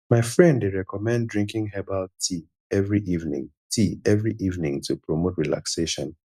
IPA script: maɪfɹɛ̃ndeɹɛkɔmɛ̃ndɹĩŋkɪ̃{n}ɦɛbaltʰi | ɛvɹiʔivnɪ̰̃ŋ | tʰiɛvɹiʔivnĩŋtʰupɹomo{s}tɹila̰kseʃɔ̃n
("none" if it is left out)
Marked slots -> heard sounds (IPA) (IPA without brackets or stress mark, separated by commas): ŋ, none